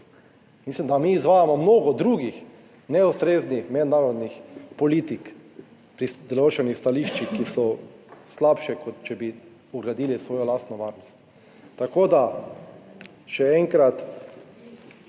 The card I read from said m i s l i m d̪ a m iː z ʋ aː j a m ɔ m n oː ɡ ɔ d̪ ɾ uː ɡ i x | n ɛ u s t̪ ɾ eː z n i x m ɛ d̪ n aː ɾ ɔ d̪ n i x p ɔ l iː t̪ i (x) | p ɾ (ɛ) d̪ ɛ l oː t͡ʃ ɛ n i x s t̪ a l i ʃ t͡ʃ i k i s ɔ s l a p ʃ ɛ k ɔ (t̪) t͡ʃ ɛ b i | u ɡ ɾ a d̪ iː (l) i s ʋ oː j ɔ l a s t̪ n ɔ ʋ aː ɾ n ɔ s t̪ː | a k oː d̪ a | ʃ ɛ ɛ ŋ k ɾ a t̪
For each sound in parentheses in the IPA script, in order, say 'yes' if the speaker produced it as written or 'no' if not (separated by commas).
no, no, yes, yes